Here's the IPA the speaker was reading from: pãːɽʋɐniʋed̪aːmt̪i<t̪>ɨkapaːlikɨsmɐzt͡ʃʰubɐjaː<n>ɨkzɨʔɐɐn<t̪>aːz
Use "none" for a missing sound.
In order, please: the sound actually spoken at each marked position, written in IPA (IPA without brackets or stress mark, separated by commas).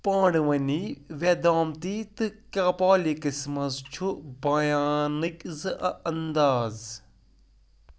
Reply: t̪, n, d̪